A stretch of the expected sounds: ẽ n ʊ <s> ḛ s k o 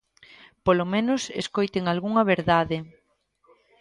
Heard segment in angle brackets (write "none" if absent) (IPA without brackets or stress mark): s